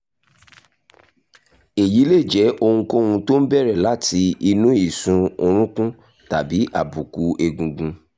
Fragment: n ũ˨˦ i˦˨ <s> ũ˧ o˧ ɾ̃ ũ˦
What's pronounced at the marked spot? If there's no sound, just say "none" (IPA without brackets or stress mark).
s